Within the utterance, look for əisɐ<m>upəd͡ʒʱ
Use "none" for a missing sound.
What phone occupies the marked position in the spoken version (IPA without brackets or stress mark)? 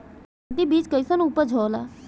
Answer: n